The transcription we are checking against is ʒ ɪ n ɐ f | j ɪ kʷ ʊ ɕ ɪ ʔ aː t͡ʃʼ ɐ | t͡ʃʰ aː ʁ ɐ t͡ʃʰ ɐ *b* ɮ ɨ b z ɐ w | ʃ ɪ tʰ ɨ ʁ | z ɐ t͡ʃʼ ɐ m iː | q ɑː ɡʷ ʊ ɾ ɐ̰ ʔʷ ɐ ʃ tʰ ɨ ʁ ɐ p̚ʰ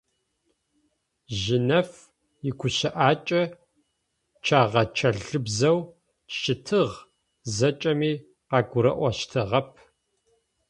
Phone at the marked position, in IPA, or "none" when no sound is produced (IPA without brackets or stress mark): none